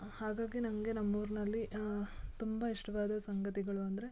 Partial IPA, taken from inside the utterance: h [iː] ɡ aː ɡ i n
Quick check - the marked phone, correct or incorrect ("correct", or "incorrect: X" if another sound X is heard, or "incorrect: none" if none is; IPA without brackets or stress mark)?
incorrect: aː